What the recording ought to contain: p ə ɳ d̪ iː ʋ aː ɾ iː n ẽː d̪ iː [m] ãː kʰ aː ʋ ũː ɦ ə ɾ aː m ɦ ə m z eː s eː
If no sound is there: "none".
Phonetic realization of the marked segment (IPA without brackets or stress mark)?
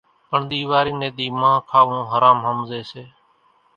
m